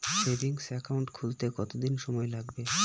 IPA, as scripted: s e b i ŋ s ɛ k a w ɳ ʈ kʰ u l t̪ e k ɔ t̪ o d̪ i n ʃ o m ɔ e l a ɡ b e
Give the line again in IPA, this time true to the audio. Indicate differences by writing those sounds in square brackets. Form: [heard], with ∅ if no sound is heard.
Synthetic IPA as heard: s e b i ŋ s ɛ k a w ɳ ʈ kʰ u l t̪ e k ɔ t̪ o d̪ i n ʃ [ɔ] m ɔ e l a ɡ b e